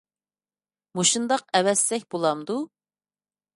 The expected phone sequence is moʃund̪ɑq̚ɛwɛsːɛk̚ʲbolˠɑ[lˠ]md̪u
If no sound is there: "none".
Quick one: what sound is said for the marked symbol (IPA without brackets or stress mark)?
none